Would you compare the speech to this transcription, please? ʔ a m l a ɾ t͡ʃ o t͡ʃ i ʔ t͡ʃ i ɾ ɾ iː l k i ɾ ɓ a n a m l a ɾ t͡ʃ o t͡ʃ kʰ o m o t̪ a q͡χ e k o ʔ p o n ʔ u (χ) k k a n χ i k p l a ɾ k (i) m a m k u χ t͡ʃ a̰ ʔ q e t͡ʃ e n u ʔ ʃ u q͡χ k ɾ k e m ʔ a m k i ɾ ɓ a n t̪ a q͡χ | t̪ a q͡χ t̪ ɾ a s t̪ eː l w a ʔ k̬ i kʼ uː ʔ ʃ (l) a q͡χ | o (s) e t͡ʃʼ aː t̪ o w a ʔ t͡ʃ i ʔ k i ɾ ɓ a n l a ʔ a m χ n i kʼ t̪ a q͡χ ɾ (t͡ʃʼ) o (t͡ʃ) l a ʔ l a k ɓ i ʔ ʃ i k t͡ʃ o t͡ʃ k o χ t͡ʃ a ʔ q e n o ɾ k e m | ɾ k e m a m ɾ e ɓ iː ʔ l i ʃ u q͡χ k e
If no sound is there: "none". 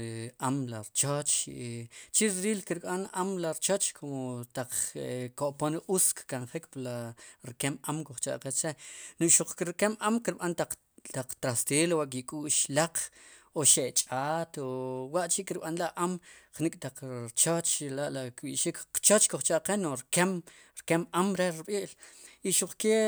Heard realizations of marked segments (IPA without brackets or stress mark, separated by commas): s, e, l, ʃ, t͡ʃ, t͡ʃ